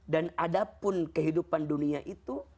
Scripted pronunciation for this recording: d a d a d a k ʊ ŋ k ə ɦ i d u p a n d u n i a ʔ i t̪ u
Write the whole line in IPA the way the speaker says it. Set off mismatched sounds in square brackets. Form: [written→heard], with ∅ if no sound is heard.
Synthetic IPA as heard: d a [d→n] a d a [k→p] ʊ [ŋ→n] k ə ɦ i d u p a n d u n i a ʔ i t̪ u

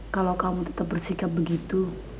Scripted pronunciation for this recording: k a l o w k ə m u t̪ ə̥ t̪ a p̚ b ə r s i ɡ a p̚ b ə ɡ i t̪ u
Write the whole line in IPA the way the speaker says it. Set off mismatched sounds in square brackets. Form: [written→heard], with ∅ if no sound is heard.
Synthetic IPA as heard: k a l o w k [ə→a] m u t̪ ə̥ t̪ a p̚ b ə r s i [ɡ→k] a p̚ b ə ɡ i t̪ u

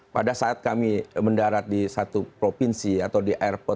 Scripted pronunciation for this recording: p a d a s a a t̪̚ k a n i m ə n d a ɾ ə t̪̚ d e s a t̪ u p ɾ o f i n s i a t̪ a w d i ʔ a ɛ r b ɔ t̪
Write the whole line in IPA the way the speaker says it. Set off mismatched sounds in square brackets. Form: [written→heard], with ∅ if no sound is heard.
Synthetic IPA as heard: p a d a s a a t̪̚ k a [n→m] i m ə n d a ɾ [ə→a] t̪̚ d [e→i] s a t̪ u p ɾ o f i n s i a t̪ a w d i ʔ a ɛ r [b→p] ɔ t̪

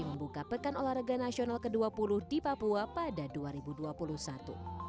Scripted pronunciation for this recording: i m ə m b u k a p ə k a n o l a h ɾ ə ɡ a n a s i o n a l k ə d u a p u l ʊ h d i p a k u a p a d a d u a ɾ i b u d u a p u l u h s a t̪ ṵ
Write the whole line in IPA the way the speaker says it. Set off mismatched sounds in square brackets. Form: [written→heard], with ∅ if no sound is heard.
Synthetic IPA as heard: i m ə m b u k a p ə k a n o l a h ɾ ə ɡ a n a s i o n a l k ə d u a p u l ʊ h d i p a [k→p] u a p a d a d u a ɾ i b u d u a p u l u h s a t̪ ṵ

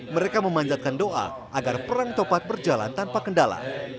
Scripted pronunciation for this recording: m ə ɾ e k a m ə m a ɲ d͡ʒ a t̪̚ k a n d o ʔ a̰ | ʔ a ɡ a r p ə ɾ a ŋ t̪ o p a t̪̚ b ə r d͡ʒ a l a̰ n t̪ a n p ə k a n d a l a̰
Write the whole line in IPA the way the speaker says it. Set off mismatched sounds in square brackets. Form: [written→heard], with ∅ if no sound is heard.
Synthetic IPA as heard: m ə ɾ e k a m ə m a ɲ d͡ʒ a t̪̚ k a n d o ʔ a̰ | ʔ a ɡ a r p ə ɾ a ŋ t̪ o p a t̪̚ b ə r d͡ʒ a l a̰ n t̪ a n p [ə→a] k [a→ə] n d a l a̰

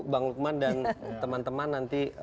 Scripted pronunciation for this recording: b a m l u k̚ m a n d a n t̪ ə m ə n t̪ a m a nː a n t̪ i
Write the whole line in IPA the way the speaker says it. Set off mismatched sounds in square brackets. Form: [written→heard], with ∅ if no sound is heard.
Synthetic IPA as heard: b a [m→ŋ] l u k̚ m a n d a n t̪ ə m [ə→a] n t̪ [a→ə] m a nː a n t̪ i

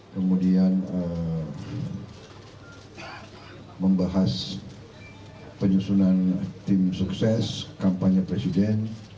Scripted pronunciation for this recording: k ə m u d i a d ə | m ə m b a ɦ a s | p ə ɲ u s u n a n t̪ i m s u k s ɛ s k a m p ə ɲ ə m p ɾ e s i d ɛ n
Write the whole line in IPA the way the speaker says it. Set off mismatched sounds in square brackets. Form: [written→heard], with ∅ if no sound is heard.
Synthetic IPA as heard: k ə m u d i a [d→n] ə | m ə m b a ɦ a s | p ə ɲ u s u n a n t̪ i m s u k s ɛ s k a m p [ə→a] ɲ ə [m→∅] p ɾ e s i d ɛ n

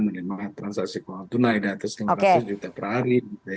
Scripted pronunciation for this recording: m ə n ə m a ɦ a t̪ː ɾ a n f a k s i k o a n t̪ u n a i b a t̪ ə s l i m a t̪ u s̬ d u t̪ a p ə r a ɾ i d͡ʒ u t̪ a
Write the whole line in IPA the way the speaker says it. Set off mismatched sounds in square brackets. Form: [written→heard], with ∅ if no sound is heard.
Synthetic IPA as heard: m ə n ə m a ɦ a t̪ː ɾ a n [f→s] a k s i k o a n t̪ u n a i [b→d] a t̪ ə s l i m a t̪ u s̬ [d→d͡ʒ] u t̪ a p ə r a ɾ i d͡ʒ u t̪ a

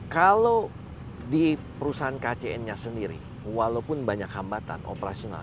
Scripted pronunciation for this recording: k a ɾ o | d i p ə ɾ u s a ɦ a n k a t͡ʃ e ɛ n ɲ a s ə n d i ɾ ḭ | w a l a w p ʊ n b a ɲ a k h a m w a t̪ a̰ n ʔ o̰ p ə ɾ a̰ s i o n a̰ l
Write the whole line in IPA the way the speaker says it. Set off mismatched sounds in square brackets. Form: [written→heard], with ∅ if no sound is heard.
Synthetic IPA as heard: k a [ɾ→l] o | d i p ə ɾ u s a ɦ a n k a t͡ʃ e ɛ n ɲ a s ə n d i ɾ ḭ | w a l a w p ʊ n b a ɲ a k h a m [w→b] a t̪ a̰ n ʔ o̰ p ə ɾ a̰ s i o n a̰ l

